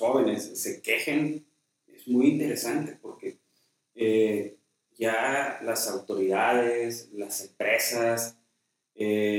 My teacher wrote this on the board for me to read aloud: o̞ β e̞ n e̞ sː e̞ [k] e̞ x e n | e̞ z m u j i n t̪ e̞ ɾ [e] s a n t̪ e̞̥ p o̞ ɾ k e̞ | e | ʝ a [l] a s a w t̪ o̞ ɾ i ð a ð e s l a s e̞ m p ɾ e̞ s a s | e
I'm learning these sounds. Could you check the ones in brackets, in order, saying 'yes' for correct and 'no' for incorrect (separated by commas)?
yes, yes, yes